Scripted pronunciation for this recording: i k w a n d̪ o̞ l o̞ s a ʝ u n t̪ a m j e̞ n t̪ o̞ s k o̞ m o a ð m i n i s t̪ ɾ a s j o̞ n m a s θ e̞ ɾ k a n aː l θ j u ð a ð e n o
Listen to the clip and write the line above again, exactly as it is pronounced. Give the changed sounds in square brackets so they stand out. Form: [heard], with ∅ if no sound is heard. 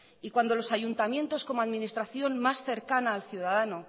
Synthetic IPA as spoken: i k w a n d̪ o̞ l o̞ s a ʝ u n t̪ a m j e̞ n t̪ o̞ s k o̞ m o a ð m i n i s t̪ ɾ a [θ] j o̞ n m a s θ e̞ ɾ k a n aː l θ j u ð a ð [a] n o